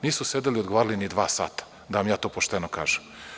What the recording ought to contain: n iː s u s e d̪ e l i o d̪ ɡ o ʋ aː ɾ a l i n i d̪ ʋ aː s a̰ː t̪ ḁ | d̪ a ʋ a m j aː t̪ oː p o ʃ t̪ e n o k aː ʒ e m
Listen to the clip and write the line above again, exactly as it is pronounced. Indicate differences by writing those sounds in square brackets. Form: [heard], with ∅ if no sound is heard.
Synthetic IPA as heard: n iː s u s e d̪ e l i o d̪ ɡ o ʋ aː ɾ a l i n i d̪ ʋ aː s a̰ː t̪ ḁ | d̪ a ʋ a m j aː t̪ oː p o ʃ t̪ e n o k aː ʒ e m

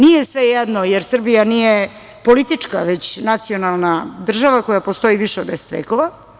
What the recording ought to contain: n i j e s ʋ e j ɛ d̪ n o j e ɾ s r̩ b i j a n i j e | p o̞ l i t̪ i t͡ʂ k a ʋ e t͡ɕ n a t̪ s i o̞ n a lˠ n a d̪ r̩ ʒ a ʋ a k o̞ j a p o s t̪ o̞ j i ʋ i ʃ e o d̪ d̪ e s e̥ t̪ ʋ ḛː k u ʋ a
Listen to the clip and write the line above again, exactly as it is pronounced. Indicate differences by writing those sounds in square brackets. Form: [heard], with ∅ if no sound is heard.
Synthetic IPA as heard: n i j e s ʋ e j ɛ d̪ n o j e ɾ s r̩ b i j a n i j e | p o̞ l i t̪ i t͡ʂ k a ʋ e t͡ɕ n a t̪ s i o̞ n a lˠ n a d̪ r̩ ʒ a ʋ a k o̞ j a p o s t̪ o̞ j i ʋ i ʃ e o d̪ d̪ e s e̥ t̪ ʋ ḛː k [o] ʋ a

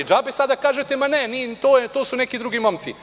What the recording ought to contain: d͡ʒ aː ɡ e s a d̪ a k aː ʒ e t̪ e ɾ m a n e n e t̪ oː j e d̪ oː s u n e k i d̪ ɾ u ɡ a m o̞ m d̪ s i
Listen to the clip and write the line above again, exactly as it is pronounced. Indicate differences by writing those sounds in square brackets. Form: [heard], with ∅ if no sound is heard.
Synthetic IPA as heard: d͡ʒ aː [b] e s a d̪ a k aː ʒ e t̪ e [∅] m a n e n [i] t̪ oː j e [t̪] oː s u n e k i d̪ ɾ u ɡ [i] m o̞ m [t̪] s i

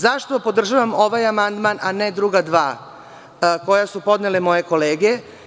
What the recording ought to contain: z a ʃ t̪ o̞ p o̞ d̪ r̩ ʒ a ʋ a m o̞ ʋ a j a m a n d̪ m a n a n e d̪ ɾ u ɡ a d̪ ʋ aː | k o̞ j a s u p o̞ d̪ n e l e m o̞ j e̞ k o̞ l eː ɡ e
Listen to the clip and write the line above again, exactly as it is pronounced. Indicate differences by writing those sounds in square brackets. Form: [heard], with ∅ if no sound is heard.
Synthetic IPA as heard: z a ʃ t̪ o̞ p o̞ d̪ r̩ ʒ a ʋ a m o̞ ʋ a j a m a n d̪ m a n a n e d̪ ɾ u ɡ a d̪ ʋ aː | k o̞ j a s u p o̞ d̪ n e l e m o̞ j e̞ k o̞ l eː ɡ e

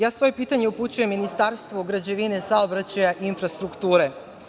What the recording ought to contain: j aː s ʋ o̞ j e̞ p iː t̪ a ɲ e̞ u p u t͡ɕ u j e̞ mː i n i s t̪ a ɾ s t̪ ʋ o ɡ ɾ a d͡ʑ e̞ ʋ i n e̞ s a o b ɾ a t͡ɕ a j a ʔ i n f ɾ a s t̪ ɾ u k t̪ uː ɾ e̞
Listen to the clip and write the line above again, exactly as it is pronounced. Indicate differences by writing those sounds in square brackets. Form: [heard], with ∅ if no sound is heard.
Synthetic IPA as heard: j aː s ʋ o̞ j e̞ p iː t̪ a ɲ e̞ u p u t͡ɕ u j e̞ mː i n i s t̪ a ɾ s t̪ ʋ o ɡ ɾ a d͡ʑ e̞ ʋ i n e̞ s a o b ɾ a t͡ɕ a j a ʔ i n f ɾ a s t̪ ɾ u k t̪ uː ɾ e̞

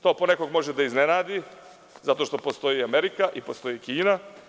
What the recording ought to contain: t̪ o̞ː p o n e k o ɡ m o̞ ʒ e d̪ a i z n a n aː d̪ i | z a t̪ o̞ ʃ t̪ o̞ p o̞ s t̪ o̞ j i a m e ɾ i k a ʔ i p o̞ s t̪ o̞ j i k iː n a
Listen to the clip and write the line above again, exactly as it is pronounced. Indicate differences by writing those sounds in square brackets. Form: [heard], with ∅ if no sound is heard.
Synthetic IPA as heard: t̪ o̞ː p o n e k o ɡ m o̞ ʒ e d̪ a i z n [e] n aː d̪ i | z a t̪ o̞ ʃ t̪ o̞ p o̞ s t̪ o̞ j i a m e ɾ i k a ʔ i p o̞ s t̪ o̞ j i k iː n a

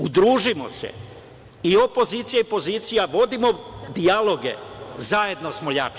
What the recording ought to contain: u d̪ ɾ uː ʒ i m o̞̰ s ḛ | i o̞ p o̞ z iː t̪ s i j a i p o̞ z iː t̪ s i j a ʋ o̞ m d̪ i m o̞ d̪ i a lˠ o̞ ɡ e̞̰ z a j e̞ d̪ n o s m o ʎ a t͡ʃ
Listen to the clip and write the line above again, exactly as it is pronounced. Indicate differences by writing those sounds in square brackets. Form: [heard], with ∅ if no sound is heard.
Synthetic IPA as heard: u d̪ ɾ uː ʒ i m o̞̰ s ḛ | i o̞ p o̞ z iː t̪ s i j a i p o̞ z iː t̪ s i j a ʋ o̞ [∅] d̪ i m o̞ d̪ i a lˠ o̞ ɡ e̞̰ z a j e̞ d̪ n o s m o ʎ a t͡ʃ

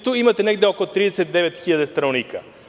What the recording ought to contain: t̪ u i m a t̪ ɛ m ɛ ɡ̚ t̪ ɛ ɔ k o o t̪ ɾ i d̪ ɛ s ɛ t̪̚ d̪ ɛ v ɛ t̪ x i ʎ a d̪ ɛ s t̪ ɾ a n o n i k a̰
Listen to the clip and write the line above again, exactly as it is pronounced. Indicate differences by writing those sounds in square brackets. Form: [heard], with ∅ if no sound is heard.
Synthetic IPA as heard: t̪ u i m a t̪ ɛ [n] ɛ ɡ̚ [d̪] ɛ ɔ k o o t̪ ɾ i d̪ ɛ s ɛ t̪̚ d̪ ɛ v ɛ t̪ x i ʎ a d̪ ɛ s t̪ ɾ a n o n i k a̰

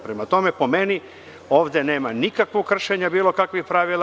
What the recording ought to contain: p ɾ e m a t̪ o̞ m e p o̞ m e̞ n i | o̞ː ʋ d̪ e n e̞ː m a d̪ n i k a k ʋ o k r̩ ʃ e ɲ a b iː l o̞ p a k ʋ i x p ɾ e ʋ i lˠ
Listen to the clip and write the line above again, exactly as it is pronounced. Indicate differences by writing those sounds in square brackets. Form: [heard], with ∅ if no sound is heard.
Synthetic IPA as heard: p ɾ e m a t̪ o̞ m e p o̞ m e̞ n i | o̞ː ʋ d̪ e n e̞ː m a [∅] n i k a k ʋ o k r̩ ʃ e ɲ a b iː l o̞ [k] a k ʋ i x p ɾ [a] ʋ i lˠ

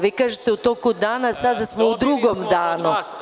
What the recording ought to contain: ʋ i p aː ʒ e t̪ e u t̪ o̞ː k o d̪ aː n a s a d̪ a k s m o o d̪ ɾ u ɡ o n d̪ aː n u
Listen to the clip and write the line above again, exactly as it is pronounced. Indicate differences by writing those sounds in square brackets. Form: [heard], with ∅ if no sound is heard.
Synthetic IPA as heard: ʋ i [k] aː ʒ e t̪ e u t̪ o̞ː k [u] d̪ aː n a s a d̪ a [∅] s m o [u] d̪ ɾ u ɡ o [m] d̪ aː n u

